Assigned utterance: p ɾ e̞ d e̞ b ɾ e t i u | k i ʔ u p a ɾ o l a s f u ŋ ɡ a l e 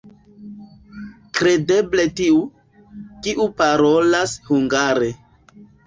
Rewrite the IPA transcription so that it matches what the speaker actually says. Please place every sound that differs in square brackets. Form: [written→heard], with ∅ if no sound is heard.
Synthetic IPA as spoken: [p→k] ɾ e̞ d e̞ b [ɾ→l] e t i u | k i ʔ u p a ɾ o l a s [f→h] u ŋ ɡ a [l→ɾ] e